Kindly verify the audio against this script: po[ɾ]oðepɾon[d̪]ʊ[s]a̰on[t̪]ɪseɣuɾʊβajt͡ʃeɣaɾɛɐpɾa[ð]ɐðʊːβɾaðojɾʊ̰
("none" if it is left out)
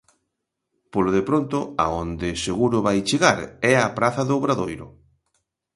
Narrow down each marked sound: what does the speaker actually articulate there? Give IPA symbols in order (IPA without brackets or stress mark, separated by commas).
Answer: l, t̪, none, d̪, θ